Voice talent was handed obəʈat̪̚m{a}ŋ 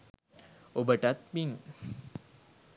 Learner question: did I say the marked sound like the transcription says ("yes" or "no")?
no